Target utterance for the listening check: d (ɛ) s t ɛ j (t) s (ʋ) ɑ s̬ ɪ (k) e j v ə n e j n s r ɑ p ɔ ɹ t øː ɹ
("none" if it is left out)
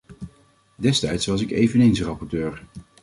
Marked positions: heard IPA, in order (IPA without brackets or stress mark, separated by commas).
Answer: ɛ, t, ʋ, k